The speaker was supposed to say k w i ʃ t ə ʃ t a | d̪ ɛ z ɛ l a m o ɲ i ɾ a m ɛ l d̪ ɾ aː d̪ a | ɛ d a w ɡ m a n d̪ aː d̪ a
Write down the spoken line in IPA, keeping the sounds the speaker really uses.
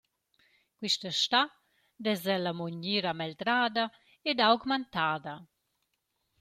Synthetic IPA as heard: k w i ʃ t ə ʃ t a | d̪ ɛ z ɛ l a m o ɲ i ɾ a m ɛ l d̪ ɾ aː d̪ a | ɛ d a w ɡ m a n t̪ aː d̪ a